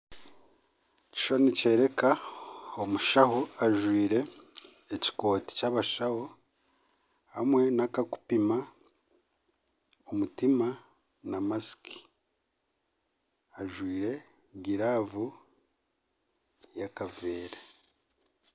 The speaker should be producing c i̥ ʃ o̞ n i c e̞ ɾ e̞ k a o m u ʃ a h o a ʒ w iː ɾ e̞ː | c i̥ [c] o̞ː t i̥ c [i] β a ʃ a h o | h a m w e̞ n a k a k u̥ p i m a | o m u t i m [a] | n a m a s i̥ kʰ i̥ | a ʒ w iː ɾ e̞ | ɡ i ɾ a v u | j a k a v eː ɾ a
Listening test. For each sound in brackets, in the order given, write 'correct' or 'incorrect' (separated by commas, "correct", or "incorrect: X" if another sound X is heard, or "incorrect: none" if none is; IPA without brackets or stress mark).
incorrect: k, incorrect: a, correct